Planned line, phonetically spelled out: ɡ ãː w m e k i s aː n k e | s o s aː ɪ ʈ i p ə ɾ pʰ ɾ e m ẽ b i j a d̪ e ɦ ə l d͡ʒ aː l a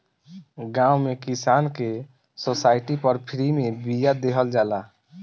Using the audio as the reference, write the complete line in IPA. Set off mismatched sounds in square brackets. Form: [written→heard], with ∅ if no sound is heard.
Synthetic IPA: ɡ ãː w m e k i s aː n k e | s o s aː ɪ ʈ i p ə ɾ pʰ ɾ [e→i] m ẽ b i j a d̪ e ɦ ə l d͡ʒ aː l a